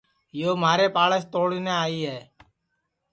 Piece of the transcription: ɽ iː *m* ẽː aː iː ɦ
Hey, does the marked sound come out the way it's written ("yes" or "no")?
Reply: no